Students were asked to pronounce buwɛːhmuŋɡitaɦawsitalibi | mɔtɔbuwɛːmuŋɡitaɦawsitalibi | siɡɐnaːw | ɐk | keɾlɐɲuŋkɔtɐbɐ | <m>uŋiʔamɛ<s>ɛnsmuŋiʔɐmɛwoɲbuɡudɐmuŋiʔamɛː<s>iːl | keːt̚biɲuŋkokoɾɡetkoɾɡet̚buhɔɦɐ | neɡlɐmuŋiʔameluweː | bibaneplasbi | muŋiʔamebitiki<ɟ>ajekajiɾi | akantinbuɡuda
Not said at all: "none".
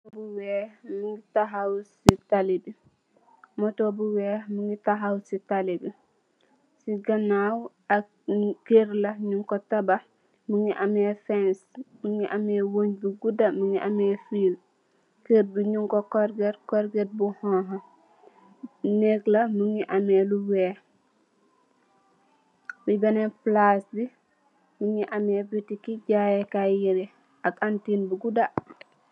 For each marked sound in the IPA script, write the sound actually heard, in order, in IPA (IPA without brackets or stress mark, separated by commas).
m, f, f, ɟ